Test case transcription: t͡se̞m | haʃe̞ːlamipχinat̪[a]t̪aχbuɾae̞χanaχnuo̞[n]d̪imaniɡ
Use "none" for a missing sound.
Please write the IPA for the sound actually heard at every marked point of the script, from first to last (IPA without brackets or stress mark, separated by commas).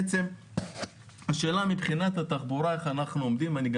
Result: a, m